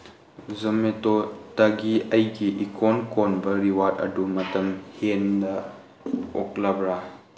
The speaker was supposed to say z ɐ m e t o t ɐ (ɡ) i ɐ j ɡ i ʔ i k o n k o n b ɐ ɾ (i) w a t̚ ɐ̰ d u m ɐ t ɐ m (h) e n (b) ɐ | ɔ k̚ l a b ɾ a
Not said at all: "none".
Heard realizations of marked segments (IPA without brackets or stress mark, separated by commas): ɡ, i, h, d